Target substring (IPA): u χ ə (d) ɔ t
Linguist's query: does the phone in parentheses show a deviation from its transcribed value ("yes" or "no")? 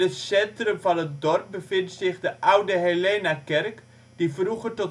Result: yes